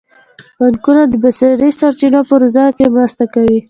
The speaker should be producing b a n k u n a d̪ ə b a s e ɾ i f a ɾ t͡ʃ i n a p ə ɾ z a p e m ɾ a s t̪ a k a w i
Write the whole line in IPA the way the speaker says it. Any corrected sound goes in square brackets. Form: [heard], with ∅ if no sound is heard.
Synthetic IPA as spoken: b a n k u n a d̪ ə b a s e ɾ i [s] a ɾ t͡ʃ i n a p ə ɾ z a [k] e m ɾ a s t̪ a k a w i